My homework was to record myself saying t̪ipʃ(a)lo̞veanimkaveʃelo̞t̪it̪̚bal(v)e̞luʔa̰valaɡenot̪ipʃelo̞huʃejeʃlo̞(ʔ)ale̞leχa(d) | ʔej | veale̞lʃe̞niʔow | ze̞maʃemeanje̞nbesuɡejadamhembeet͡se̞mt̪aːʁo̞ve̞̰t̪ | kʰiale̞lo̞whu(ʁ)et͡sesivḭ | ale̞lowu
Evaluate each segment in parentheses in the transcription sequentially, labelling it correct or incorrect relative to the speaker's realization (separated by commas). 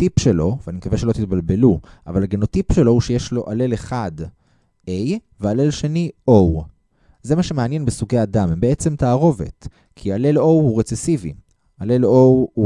incorrect, incorrect, correct, correct, correct